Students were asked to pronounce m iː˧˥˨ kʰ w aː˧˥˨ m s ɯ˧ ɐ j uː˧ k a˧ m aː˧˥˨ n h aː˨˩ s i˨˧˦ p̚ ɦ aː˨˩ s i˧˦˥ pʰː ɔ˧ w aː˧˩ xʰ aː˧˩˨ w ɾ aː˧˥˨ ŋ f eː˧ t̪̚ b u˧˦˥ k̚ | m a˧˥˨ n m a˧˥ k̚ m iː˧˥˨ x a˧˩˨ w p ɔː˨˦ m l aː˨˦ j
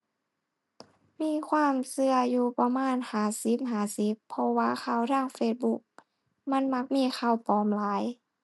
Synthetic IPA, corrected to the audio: m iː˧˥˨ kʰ w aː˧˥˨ m s ɯ˧ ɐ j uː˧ p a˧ m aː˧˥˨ n h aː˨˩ s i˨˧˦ p̚ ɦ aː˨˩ s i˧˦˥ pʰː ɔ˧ w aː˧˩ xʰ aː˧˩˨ w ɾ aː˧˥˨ ŋ f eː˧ t̪̚ b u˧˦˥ k̚ | m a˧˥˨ n m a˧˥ k̚ m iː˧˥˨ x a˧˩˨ w p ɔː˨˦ m l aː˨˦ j